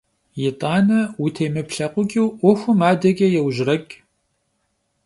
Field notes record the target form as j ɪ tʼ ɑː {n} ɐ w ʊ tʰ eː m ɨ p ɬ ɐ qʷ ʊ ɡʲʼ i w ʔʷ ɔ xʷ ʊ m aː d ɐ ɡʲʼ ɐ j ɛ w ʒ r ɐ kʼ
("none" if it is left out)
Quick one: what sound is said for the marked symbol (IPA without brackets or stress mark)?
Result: n